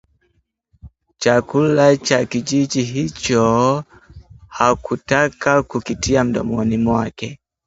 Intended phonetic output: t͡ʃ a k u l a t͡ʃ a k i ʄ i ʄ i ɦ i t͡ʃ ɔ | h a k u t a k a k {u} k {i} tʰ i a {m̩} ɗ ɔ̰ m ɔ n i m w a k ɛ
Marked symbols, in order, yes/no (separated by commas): yes, yes, yes